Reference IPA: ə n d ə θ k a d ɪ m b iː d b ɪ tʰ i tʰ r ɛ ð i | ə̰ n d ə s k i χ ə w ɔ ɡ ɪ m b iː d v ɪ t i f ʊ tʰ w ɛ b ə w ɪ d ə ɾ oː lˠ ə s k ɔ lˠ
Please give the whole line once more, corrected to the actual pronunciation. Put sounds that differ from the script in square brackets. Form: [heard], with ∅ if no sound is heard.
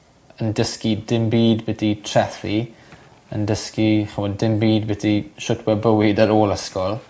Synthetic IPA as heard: ə n d ə [s] k [i] d ɪ m b iː d b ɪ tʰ i tʰ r ɛ [θ] i | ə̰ n d ə s k i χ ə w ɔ [d] ɪ m b iː d [b] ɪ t i [ʃ] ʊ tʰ w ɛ b ə w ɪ d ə ɾ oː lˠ ə s k ɔ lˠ